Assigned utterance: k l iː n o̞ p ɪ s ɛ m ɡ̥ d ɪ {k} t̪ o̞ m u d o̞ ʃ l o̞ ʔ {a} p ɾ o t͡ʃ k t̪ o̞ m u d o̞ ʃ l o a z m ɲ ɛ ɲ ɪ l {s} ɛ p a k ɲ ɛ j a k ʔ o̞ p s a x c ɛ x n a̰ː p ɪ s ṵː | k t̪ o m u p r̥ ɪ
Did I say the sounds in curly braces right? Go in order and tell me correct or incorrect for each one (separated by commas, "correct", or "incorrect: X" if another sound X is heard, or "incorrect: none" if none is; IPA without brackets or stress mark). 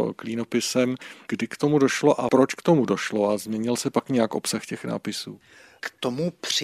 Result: correct, correct, correct